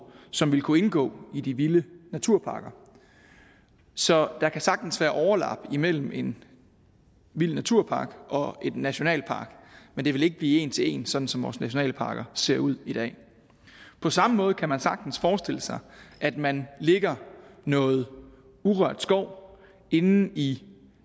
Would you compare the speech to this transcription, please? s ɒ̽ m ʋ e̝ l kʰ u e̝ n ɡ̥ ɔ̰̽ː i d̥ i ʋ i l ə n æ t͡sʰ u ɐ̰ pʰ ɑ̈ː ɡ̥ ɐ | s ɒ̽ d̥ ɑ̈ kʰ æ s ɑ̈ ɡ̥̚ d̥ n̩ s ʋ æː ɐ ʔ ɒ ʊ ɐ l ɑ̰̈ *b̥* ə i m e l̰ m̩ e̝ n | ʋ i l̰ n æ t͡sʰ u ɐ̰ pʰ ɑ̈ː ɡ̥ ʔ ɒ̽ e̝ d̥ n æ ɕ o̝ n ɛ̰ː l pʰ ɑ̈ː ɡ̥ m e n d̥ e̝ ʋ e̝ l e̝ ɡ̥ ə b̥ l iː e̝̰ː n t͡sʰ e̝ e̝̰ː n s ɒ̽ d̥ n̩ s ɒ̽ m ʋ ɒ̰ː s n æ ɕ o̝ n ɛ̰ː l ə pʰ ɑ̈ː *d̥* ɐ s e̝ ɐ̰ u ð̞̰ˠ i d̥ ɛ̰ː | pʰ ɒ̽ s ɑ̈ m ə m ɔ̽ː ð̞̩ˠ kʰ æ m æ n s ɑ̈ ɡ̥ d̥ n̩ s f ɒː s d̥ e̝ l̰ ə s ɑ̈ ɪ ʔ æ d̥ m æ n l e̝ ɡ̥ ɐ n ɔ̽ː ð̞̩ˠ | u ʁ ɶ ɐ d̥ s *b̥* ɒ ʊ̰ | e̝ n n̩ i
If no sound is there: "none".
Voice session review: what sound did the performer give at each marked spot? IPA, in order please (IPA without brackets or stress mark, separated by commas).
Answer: b̥, ɡ̥, ɡ̥